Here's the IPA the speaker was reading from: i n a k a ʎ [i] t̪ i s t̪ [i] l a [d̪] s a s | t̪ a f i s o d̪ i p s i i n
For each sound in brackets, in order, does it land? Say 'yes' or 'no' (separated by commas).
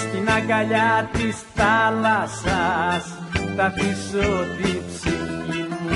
no, no, no